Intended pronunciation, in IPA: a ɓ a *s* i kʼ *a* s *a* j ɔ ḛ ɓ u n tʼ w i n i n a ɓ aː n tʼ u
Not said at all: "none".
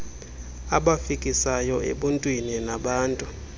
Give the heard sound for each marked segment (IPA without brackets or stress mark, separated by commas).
f, i, a